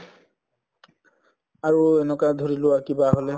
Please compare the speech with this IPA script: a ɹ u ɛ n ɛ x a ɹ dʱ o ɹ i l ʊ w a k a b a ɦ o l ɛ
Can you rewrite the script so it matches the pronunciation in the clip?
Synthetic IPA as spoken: a ɹ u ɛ n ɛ k a dʱ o ɹ i l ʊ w a k i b a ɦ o l ɛ